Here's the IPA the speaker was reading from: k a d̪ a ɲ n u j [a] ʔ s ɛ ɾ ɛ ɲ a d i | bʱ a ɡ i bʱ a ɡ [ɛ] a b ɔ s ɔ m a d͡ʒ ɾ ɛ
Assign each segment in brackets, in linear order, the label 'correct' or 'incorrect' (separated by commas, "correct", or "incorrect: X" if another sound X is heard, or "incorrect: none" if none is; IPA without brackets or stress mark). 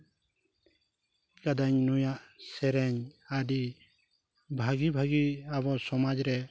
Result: correct, incorrect: i